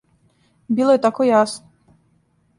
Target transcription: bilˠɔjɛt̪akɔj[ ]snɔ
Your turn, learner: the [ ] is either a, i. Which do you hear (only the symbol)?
a